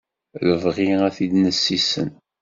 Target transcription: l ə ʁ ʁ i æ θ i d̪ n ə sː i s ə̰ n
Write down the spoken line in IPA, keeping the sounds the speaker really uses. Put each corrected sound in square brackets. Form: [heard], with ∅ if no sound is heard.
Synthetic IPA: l ə [v] ʁ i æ θ i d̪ n ə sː i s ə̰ n